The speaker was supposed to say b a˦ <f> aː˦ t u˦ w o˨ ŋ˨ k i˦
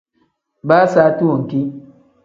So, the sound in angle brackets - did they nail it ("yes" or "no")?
no